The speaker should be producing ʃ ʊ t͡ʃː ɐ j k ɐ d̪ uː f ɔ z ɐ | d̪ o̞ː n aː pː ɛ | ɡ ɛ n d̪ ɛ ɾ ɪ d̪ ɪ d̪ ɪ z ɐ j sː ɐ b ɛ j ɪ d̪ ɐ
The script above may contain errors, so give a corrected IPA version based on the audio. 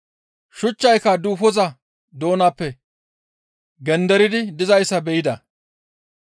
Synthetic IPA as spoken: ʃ ʊ t͡ʃː ɐ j k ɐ d̪ uː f ɔ z ɐ | d̪ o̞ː n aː pː ɛ | ɡ ɛ n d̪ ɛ ɾ ɪ d̪ ɪ d̪ ɪ z ɐ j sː ɐ b ɛ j ɪ d̪ ɐ

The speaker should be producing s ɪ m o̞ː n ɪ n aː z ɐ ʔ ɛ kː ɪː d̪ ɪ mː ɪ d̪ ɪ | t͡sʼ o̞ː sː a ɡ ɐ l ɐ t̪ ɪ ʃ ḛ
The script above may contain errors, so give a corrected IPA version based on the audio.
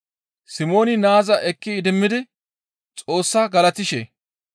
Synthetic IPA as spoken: s ɪ m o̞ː n ɪ n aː z ɐ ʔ ɛ kː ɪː d̪ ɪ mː ɪ d̪ ɪ | t͡sʼ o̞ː sː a ɡ ɐ l ɐ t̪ ɪ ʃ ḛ

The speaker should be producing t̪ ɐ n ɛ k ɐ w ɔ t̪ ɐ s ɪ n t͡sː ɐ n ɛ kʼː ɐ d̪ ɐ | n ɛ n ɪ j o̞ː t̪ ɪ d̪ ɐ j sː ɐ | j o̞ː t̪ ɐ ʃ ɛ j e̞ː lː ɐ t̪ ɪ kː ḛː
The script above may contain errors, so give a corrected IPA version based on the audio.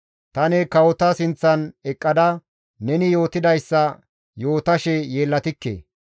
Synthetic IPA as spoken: t̪ ɐ n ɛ k ɐ w ɔ t̪ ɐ s ɪ n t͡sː ɐ n ɛ kʼː ɐ d̪ ɐ | n ɛ n ɪ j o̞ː t̪ ɪ d̪ ɐ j sː ɐ | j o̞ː t̪ ɐ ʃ ɛ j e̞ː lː ɐ t̪ ɪ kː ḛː

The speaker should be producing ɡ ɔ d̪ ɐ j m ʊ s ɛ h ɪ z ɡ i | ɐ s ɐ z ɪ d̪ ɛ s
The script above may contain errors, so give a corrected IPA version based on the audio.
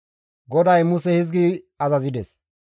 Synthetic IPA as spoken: ɡ ɔ d̪ ɐ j m ʊ s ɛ h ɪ z ɡ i | ɐ z ɐ z ɪ d̪ ɛ s

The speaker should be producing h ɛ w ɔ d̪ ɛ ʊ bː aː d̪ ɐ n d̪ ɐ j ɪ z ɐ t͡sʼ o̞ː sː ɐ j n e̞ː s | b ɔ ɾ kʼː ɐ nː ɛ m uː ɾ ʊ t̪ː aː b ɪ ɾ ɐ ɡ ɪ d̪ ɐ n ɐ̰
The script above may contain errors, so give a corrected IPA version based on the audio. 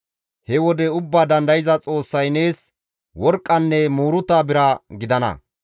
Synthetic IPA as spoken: h ɛ w ɔ d̪ ɛ ʊ bː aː d̪ ɐ n d̪ ɐ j ɪ z ɐ t͡sʼ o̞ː sː ɐ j n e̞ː s | w ɔ ɾ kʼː ɐ nː ɛ m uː ɾ ʊ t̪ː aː b ɪ ɾ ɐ ɡ ɪ d̪ ɐ n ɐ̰

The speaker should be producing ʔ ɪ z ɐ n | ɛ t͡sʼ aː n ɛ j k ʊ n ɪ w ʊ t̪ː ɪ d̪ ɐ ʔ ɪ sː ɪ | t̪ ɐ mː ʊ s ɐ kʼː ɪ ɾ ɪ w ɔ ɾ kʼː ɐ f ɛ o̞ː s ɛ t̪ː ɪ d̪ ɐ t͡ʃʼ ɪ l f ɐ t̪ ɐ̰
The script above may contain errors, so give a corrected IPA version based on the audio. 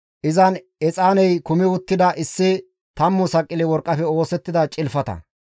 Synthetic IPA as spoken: ʔ ɪ z ɐ n | ɛ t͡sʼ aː n ɛ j k ʊ m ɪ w ʊ t̪ː ɪ d̪ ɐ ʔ ɪ sː ɪ | t̪ ɐ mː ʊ s ɐ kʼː ɪ l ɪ w ɔ ɾ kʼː ɐ f ɛ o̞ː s ɛ t̪ː ɪ d̪ ɐ t͡ʃʼ ɪ l f ɐ t̪ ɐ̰

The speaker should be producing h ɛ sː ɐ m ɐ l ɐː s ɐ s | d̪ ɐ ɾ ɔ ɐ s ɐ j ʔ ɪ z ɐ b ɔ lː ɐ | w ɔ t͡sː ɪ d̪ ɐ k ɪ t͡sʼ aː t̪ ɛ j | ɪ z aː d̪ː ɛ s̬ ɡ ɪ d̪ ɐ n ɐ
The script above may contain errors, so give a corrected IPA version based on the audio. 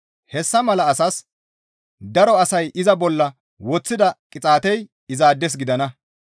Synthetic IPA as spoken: h ɛ sː ɐ m ɐ l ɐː s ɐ s | d̪ ɐ ɾ ɔ ɐ s ɐ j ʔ ɪ z ɐ b ɔ lː ɐ | w ɔ t͡sː ɪ d̪ ɐ kʼ ɪ t͡sʼ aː t̪ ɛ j | ɪ z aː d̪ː ɛ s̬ ɡ ɪ d̪ ɐ n ɐ

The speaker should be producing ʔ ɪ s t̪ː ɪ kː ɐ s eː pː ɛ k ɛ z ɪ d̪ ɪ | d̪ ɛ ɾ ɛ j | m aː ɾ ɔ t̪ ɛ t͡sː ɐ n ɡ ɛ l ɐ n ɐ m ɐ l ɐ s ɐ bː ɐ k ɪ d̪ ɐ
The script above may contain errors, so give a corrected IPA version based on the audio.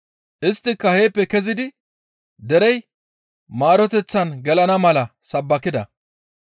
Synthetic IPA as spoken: ʔ ɪ s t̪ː ɪ kː ɐ h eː pː ɛ k ɛ z ɪ d̪ ɪ | d̪ ɛ ɾ ɛ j | m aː ɾ ɔ t̪ ɛ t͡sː ɐ n ɡ ɛ l ɐ n ɐ m ɐ l ɐ s ɐ bː ɐ k ɪ d̪ ɐ

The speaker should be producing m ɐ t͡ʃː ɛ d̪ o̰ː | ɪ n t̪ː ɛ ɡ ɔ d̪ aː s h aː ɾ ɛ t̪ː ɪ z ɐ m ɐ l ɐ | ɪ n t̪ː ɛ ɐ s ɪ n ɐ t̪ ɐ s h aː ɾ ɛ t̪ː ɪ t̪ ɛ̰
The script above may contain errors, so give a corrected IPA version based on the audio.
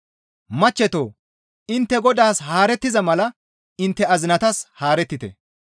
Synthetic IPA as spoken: m ɐ t͡ʃː ɛ t̪ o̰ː | ɪ n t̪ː ɛ ɡ ɔ d̪ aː s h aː ɾ ɛ t̪ː ɪ z ɐ m ɐ l ɐ | ɪ n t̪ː ɛ ɐ z ɪ n ɐ t̪ ɐ s h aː ɾ ɛ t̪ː ɪ t̪ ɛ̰

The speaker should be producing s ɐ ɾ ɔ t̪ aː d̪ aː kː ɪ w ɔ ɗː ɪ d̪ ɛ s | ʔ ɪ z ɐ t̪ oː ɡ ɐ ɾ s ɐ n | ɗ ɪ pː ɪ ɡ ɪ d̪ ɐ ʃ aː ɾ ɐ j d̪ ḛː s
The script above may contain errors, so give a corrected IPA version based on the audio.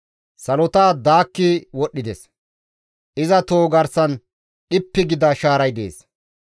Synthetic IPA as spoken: s ɐ l ɔ t̪ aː d̪ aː kː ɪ w ɔ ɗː ɪ d̪ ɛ s | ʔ ɪ z ɐ t̪ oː ɡ ɐ ɾ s ɐ n | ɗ ɪ pː ɪ ɡ ɪ d̪ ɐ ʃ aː ɾ ɐ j d̪ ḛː s

